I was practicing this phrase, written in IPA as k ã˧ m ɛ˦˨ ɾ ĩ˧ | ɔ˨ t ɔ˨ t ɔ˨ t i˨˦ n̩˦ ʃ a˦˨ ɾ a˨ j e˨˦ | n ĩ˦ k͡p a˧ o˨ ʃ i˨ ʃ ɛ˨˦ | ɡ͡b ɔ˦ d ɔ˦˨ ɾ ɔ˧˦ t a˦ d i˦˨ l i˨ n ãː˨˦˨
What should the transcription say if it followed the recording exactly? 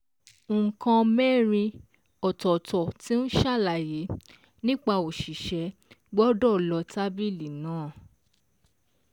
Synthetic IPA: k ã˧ m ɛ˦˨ ɾ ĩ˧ | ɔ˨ t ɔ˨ t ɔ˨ t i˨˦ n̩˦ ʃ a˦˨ l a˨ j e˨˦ | n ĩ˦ k͡p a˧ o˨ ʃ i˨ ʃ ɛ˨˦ | ɡ͡b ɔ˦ d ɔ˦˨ l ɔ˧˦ t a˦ b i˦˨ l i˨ n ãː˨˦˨